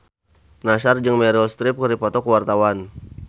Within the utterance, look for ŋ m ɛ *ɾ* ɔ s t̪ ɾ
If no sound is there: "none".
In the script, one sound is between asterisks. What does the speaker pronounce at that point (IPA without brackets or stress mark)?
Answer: ɾ